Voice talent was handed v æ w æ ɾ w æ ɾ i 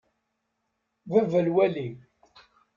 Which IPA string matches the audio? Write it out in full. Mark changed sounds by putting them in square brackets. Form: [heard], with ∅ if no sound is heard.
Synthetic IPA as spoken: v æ [v] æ [l] w æ [l] i